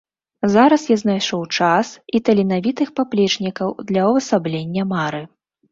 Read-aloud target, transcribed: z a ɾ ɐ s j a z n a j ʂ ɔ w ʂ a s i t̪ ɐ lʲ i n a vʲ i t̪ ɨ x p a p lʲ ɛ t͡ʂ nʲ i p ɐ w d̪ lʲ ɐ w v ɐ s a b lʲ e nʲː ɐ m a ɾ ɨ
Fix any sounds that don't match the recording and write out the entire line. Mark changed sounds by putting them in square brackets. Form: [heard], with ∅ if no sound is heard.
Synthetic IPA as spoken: z a ɾ ɐ s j a z n a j ʂ ɔ w [t͡ʂ] a s i t̪ ɐ lʲ i n a vʲ i t̪ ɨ x p a p lʲ ɛ t͡ʂ nʲ i [k] ɐ w d̪ lʲ ɐ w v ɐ s a b lʲ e nʲː ɐ m a ɾ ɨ